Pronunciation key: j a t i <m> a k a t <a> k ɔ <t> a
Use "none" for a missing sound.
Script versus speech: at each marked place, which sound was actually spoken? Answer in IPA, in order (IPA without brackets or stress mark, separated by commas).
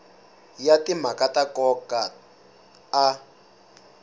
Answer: m, a, k